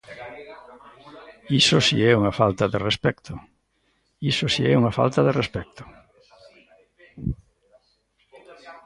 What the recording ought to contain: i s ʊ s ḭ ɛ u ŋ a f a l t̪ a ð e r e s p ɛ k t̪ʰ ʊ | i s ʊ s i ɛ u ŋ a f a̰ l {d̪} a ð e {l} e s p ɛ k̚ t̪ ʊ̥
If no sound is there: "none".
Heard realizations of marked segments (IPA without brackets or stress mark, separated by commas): t̪, r